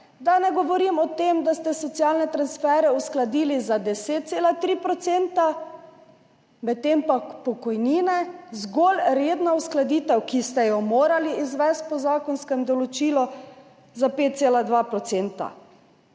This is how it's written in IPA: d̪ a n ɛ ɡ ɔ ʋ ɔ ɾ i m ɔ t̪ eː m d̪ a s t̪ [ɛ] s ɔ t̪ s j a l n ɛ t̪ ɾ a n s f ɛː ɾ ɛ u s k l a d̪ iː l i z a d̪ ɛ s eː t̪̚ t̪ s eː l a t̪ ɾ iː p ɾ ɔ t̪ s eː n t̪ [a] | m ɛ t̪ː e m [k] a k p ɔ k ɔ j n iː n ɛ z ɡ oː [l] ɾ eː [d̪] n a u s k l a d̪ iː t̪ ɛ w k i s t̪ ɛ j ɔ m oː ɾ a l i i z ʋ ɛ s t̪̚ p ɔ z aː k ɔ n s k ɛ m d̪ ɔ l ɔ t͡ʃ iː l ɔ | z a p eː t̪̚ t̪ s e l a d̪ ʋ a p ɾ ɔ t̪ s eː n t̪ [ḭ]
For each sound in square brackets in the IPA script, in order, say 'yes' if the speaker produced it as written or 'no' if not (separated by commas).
yes, yes, no, yes, yes, no